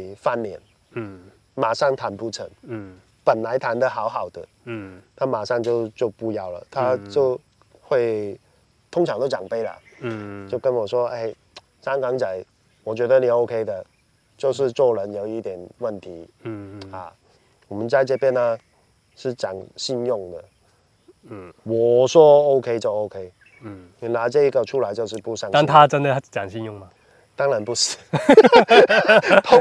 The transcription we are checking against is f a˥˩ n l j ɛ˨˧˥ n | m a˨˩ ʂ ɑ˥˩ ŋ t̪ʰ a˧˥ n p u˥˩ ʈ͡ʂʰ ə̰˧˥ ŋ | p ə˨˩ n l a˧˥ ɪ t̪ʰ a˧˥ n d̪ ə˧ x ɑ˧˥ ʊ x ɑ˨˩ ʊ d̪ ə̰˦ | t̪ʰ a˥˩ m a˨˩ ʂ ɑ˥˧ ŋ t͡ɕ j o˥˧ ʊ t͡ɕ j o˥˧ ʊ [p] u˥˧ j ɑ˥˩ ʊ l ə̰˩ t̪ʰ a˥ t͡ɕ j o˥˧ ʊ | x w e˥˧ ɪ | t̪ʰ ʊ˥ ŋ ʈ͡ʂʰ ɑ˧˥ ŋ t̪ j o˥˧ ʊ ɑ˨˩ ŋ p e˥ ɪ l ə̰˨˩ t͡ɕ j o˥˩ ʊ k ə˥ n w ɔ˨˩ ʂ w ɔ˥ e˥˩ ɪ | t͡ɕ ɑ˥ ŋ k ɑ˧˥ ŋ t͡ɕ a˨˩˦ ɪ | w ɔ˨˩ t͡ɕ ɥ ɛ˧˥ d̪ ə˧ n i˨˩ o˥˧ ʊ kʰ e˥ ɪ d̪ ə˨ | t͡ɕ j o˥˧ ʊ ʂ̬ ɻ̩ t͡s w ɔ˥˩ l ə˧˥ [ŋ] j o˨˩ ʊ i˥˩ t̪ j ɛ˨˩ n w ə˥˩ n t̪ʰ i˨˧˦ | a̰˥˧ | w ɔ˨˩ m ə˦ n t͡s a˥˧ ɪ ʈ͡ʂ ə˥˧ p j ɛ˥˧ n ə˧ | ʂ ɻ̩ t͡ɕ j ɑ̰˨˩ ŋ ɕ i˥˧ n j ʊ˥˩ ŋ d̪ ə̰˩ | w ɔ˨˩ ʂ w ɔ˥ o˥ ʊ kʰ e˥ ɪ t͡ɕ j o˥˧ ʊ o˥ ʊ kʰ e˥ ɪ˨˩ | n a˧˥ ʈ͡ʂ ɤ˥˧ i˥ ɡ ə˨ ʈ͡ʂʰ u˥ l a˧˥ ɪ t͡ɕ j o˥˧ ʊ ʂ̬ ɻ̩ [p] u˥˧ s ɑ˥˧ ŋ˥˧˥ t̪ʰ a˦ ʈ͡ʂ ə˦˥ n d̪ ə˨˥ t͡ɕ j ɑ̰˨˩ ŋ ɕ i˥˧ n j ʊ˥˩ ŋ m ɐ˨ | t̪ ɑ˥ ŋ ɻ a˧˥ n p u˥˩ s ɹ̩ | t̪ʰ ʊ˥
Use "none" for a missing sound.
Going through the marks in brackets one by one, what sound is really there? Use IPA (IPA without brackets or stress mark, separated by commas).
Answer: p, n, p